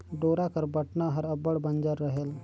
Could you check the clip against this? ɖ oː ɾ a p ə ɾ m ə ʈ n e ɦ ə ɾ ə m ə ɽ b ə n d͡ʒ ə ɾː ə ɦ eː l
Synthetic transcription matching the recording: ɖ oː ɾ a k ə ɾ b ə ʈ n a ɦ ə ɾ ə b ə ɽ b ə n d͡ʒ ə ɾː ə ɦ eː l